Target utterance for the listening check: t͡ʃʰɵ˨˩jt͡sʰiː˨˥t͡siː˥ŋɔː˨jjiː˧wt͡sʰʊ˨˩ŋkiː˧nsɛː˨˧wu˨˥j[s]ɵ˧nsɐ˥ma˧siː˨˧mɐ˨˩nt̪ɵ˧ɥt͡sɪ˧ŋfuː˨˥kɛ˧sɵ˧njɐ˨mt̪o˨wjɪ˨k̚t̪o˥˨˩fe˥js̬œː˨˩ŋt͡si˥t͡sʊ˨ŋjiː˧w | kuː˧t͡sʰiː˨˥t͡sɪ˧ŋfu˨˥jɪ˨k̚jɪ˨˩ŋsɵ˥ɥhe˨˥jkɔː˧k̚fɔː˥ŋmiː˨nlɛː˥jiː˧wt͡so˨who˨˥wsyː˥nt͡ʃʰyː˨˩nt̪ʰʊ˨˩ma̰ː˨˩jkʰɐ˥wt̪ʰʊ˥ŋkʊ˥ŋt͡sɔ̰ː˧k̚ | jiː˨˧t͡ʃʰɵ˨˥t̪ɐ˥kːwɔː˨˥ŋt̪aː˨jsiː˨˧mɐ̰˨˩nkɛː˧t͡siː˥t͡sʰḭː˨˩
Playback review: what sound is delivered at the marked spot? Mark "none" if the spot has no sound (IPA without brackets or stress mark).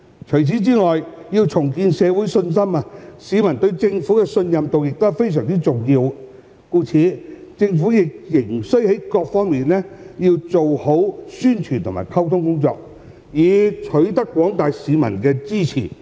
s